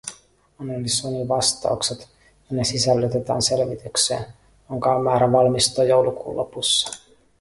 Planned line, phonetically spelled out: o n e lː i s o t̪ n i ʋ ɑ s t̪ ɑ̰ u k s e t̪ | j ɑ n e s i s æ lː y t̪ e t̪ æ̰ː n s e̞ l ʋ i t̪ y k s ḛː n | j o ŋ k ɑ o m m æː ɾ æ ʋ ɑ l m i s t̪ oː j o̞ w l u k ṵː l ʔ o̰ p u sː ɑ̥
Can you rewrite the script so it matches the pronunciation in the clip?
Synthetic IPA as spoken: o n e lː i s o n i ʋ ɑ s t̪ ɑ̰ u k s e t̪ | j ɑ n e s i s æ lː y t̪ e t̪ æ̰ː n s e̞ l ʋ i t̪ y k s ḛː n | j o ŋ k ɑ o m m æː ɾ æ ʋ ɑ l m i s t̪ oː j o̞ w l u k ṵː l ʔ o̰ p u sː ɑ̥